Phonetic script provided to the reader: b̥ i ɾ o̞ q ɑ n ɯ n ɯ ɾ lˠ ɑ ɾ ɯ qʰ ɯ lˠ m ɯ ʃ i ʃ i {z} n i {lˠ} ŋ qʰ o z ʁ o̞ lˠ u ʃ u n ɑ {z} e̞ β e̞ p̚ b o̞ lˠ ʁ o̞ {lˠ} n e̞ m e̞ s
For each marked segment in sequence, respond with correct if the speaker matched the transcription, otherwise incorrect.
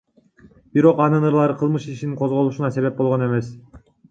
incorrect, incorrect, incorrect, incorrect

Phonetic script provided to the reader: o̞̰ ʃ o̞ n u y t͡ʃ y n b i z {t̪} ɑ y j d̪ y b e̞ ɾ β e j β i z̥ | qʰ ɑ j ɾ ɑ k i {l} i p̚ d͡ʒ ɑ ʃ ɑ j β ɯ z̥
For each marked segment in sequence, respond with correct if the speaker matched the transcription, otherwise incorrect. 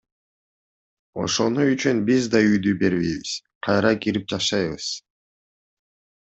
incorrect, incorrect

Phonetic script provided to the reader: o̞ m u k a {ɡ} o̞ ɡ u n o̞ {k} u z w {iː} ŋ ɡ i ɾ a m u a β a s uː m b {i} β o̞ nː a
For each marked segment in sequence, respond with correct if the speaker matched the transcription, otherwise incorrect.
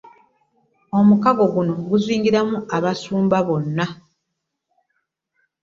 correct, incorrect, correct, incorrect

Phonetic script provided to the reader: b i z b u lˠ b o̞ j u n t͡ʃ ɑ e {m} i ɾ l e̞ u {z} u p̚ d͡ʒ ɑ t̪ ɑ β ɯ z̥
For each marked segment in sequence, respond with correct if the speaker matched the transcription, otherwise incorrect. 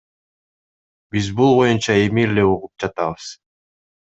correct, incorrect

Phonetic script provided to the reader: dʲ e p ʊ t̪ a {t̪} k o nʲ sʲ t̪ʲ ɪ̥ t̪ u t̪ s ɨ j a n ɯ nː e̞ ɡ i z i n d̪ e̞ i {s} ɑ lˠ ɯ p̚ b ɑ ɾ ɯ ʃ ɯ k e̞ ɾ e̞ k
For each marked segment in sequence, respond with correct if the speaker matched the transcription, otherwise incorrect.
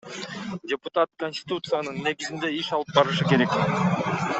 correct, incorrect

